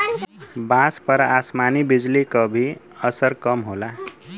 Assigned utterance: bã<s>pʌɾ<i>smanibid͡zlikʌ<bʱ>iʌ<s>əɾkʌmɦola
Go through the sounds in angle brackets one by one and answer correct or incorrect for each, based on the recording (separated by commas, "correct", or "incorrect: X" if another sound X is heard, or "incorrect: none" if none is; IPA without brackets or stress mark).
correct, incorrect: a, correct, correct